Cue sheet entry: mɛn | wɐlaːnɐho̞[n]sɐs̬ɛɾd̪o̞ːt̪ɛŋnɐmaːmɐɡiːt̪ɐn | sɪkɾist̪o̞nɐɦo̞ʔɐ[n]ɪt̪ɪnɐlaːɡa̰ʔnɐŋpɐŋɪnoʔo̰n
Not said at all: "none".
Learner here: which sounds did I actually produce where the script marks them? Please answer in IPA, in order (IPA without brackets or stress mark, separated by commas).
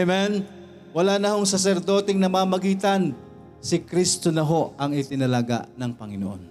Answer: ŋ, ŋ